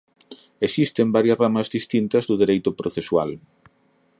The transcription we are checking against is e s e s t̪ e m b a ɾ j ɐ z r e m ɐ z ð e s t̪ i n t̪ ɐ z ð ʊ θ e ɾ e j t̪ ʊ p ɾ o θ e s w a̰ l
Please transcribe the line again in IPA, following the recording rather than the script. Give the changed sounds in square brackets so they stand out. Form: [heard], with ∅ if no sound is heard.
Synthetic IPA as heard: e s [i] s t̪ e m b a ɾ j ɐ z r [a] m ɐ z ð [i] s t̪ i n t̪ ɐ z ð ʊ [ð] e ɾ e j t̪ ʊ p ɾ o θ e s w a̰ l